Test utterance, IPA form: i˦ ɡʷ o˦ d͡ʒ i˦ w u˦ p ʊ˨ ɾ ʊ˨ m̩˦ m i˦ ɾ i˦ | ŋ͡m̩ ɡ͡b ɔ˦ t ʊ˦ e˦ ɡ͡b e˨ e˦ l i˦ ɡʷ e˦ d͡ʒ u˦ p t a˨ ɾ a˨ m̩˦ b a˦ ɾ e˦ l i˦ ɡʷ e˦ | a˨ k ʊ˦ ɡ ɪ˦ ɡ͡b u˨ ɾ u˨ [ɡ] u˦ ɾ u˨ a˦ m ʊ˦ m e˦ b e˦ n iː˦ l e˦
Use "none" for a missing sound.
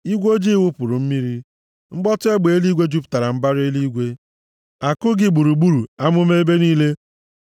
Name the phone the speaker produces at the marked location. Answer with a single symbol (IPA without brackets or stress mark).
ɡ͡b